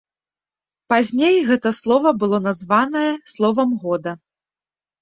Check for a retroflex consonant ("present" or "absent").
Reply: absent